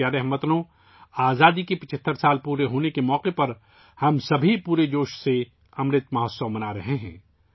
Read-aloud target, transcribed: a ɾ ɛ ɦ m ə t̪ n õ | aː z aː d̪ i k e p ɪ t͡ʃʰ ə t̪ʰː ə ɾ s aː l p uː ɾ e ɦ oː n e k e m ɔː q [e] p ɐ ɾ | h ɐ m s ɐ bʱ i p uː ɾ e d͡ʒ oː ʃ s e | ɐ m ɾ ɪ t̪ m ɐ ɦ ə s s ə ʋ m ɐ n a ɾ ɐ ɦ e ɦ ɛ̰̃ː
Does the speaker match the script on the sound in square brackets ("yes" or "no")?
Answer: yes